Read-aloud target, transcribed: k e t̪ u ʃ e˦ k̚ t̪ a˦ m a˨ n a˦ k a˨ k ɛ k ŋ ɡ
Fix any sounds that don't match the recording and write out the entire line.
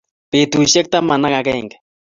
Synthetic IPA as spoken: p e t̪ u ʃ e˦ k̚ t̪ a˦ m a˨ n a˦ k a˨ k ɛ ŋ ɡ